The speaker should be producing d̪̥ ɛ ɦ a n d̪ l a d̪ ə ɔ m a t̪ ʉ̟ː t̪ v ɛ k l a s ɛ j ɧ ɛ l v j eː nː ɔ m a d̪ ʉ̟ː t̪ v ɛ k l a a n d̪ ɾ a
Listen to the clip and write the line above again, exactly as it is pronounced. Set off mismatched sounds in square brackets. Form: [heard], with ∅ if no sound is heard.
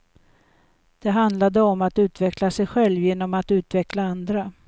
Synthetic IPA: d̪̥ ɛ ɦ a n d̪ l a d̪ ə ɔ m a t̪ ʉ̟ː t̪ v ɛ k l a s ɛ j ɧ ɛ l v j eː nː ɔ m a [t̪] ʉ̟ː t̪ v ɛ k l a a n d̪ ɾ a